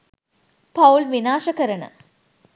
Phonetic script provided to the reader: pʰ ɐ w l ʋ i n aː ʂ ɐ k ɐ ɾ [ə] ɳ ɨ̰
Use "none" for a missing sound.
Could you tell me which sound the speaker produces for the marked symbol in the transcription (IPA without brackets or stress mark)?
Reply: ɐ